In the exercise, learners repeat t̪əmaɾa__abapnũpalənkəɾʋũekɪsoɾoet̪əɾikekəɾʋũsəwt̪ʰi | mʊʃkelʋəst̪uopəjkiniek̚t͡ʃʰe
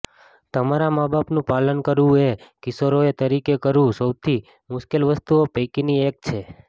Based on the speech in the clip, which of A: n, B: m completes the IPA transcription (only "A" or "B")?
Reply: B